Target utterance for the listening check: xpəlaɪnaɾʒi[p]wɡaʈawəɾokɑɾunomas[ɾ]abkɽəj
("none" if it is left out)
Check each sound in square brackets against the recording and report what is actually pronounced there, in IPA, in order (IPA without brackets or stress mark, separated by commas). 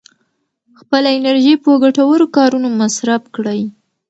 p, ɾ